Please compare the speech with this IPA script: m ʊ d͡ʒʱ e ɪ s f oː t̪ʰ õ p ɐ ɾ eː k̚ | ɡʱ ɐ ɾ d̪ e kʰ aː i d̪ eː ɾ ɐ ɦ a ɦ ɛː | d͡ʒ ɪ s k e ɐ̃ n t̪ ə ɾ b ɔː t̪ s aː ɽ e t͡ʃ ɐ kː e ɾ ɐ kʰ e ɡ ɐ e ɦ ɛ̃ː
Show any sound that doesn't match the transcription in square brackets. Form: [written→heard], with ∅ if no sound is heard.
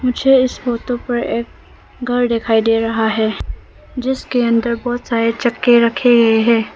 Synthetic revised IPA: m ʊ d͡ʒʱ e ɪ s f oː [t̪ʰ→t̪] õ p ɐ ɾ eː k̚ | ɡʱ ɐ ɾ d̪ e kʰ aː i d̪ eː ɾ ɐ ɦ a ɦ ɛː | d͡ʒ ɪ s k e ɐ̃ n [t̪→d̪] ə ɾ b ɔː t̪ s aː [ɽ→ɾ] e t͡ʃ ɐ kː e ɾ ɐ kʰ e ɡ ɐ e ɦ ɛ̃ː

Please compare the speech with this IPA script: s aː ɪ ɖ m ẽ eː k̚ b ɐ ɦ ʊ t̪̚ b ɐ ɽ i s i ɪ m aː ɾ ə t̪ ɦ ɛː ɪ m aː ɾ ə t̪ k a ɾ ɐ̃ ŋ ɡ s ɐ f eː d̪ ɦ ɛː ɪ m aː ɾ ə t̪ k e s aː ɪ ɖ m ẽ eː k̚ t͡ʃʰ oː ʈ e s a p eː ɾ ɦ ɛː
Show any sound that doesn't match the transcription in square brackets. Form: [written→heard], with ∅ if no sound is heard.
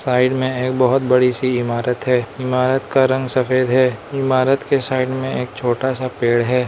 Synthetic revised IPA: s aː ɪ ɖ m ẽ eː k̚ b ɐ ɦ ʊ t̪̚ b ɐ ɽ i s i ɪ m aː ɾ ə t̪ ɦ ɛː ɪ m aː ɾ ə t̪ k a ɾ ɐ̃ ŋ ɡ s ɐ f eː d̪ ɦ ɛː ɪ m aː ɾ ə t̪ k e s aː ɪ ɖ m ẽ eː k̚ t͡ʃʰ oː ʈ [e→a] s a p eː [ɾ→ɽ] ɦ ɛː

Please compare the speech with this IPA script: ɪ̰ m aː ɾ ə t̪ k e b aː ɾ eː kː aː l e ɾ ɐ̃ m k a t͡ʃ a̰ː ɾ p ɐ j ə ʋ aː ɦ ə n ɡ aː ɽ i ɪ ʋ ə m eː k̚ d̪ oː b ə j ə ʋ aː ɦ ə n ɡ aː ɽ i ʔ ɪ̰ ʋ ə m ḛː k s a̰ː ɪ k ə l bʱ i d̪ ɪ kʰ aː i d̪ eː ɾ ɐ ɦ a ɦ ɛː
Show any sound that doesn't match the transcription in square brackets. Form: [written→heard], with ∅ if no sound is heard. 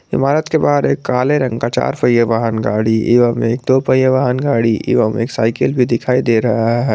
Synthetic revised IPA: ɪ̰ m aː ɾ ə t̪ k e b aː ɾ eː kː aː l e ɾ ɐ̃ [m→ŋ] k a t͡ʃ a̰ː ɾ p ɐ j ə ʋ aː ɦ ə n ɡ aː ɽ i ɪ ʋ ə m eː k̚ d̪ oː [b→p] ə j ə ʋ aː ɦ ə n ɡ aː ɽ i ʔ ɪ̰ ʋ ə m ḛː k s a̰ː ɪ k ə l bʱ i d̪ ɪ kʰ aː i d̪ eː ɾ ɐ ɦ a ɦ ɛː

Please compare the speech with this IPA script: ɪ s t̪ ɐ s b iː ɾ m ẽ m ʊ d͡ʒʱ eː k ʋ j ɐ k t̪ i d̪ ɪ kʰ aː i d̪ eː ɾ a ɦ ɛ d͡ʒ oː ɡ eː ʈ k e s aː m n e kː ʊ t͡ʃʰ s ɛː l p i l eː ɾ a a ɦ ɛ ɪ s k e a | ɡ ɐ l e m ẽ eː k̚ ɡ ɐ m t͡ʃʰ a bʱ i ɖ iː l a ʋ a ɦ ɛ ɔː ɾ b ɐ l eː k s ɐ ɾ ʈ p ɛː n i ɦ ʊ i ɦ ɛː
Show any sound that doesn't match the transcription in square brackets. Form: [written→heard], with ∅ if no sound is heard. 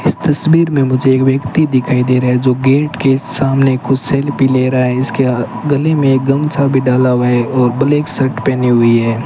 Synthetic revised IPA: ɪ s t̪ ɐ s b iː ɾ m ẽ m ʊ d͡ʒʱ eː k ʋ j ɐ k t̪ i d̪ ɪ kʰ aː i d̪ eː ɾ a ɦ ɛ d͡ʒ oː ɡ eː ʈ k e s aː m n e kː ʊ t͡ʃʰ s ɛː l p i l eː ɾ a a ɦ ɛ ɪ s k e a | ɡ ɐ l e m ẽ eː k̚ ɡ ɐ m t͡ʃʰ a bʱ i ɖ [iː→aː] l a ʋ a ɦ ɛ ɔː ɾ b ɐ l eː k s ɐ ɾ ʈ p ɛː n i ɦ ʊ i ɦ ɛː

